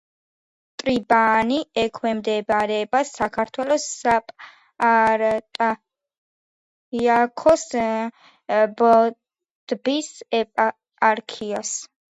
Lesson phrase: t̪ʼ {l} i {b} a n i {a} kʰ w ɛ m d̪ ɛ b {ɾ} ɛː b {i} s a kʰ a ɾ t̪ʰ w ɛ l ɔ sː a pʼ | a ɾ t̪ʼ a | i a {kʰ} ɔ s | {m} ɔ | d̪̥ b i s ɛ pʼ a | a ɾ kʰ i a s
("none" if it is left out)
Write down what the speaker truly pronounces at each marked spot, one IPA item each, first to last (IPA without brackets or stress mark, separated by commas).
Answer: ɾ, b, ɛ, ɾ, a, kʰ, b